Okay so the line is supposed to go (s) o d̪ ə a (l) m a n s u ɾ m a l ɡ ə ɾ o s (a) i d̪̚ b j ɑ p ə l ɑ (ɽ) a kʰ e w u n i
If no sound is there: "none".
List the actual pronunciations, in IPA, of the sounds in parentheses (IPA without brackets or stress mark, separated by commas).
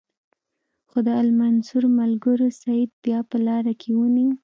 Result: x, l, a, ɾ